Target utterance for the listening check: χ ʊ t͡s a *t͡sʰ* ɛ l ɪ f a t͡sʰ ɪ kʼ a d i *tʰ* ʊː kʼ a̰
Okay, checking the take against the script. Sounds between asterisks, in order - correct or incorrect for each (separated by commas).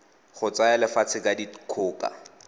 incorrect, incorrect